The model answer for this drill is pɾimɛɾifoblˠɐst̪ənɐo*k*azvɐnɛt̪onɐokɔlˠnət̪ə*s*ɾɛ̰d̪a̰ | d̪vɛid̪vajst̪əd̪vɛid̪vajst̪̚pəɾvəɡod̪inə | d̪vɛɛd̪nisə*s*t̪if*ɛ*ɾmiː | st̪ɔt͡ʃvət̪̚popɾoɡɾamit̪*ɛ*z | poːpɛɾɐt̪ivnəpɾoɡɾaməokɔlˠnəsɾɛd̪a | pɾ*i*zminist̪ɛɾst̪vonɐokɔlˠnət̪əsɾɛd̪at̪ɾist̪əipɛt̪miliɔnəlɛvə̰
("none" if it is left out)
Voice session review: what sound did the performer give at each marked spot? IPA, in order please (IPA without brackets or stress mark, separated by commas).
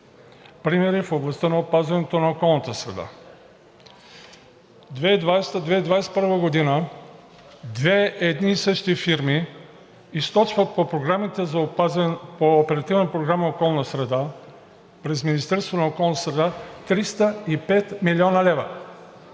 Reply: p, s, ʃ, i, ɛ, ɛ